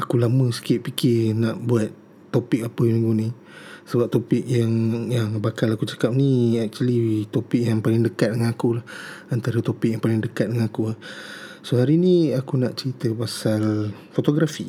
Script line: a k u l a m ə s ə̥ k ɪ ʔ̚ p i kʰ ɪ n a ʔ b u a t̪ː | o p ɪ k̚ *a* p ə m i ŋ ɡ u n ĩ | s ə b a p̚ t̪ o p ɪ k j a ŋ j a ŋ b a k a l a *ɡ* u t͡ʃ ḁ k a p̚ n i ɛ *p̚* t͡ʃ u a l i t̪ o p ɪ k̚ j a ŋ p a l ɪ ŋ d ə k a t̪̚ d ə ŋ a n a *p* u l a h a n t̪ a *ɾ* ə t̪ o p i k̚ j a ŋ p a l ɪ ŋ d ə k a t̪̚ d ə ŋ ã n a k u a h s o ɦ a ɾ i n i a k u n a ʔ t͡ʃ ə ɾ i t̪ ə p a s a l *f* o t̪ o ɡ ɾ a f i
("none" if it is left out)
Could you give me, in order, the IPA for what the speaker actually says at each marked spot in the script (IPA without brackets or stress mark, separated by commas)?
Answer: a, k, k̚, k, ɾ, f